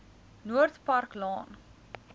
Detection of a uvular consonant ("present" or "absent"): absent